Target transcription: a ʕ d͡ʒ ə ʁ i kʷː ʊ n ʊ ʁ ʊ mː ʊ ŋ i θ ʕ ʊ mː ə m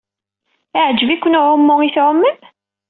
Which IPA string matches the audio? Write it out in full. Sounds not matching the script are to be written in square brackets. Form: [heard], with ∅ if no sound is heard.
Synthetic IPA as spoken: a ʕ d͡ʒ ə [v] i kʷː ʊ n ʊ [ʕ] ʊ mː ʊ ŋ i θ ʕ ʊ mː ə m

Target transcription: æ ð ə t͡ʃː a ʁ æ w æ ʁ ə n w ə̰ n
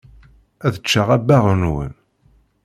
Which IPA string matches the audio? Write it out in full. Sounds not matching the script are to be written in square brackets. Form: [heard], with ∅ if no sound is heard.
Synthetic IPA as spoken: æ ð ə t͡ʃː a ʁ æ [b] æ ʁ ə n w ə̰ n

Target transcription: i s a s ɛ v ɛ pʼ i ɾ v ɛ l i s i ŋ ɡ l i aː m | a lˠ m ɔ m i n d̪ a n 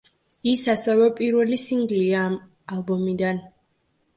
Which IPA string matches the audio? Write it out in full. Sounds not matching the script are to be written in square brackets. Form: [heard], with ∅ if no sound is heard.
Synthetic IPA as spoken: i s a s ɛ v ɛ pʼ i ɾ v ɛ l i s i ŋ ɡ l i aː m | a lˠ [b] ɔ m i [∅] d̪ a n

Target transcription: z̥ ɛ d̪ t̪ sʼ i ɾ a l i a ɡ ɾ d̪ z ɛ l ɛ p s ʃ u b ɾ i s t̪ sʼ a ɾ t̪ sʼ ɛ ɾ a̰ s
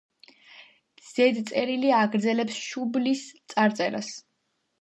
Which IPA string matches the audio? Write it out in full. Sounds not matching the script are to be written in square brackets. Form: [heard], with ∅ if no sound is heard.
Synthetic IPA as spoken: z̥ ɛ d̪ t̪ sʼ [ɛ] ɾ [i] l i a ɡ ɾ d̪ z ɛ l ɛ p s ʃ u b [l] i s t̪ sʼ a ɾ t̪ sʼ ɛ ɾ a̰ s

